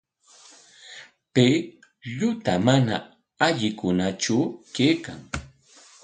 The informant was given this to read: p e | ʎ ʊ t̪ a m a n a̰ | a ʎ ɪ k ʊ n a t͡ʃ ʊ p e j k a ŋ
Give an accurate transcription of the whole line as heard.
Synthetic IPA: p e | ʎ ʊ t̪ a m a n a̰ | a ʎ ɪ k ʊ n a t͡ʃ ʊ k e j k a ŋ